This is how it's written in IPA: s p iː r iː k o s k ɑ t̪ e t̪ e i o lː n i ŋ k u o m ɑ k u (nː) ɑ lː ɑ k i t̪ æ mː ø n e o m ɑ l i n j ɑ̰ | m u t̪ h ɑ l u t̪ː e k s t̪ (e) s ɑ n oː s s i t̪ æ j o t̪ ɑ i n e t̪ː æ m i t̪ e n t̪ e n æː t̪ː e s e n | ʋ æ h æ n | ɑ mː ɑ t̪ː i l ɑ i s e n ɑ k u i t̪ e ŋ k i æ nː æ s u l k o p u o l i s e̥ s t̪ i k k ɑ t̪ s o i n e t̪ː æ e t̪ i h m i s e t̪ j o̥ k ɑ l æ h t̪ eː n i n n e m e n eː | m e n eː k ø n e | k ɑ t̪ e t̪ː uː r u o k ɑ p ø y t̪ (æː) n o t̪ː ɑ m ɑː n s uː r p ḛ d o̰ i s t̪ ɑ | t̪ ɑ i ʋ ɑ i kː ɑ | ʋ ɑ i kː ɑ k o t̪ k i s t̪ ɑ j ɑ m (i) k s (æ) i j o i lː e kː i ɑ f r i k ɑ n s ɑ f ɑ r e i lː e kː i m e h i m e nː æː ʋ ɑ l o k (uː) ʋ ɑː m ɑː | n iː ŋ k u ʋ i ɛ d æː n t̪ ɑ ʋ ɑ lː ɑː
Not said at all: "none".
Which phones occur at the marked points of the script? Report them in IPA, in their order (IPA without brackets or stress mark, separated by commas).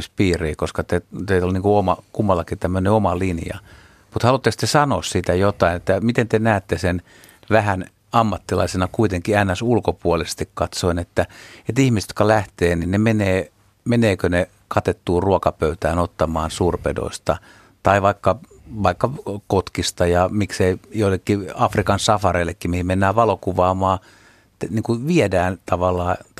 mː, e, æː, i, e, u